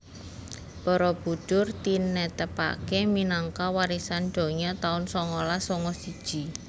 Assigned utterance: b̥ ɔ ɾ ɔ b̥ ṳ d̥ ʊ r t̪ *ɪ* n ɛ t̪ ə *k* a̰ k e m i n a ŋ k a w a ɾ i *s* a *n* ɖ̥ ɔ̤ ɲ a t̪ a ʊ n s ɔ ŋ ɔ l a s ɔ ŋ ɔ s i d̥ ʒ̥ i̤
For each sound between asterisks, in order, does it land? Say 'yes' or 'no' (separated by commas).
no, no, yes, yes